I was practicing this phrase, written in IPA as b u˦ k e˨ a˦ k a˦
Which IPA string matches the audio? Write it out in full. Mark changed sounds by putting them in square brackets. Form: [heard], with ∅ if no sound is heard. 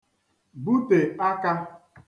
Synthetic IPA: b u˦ [t] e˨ a˦ k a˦